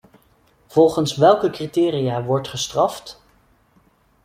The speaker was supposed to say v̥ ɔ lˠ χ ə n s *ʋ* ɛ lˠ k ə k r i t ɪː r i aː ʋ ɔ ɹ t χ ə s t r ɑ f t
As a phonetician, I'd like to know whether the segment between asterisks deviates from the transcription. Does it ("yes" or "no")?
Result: no